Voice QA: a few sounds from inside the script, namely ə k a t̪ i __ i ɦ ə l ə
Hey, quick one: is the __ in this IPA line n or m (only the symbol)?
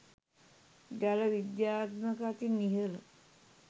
n